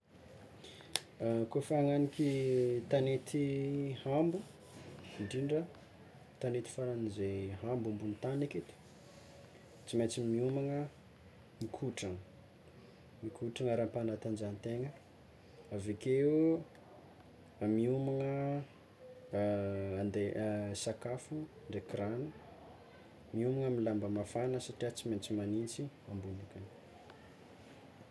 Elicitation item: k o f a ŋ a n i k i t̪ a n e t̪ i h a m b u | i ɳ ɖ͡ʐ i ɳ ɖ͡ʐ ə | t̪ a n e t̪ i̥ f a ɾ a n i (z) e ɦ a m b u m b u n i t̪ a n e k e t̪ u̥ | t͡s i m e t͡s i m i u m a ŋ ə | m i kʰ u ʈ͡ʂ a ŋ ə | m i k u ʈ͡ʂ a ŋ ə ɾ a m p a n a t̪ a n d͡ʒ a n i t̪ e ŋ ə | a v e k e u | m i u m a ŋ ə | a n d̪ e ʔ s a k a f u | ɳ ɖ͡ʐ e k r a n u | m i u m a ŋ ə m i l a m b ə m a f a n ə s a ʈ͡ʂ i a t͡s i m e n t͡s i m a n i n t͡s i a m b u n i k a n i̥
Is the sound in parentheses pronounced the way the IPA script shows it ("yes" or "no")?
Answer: yes